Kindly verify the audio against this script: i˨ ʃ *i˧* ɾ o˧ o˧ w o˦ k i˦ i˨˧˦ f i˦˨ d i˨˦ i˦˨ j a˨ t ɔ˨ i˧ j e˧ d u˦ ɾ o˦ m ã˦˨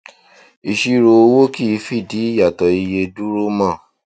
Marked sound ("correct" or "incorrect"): correct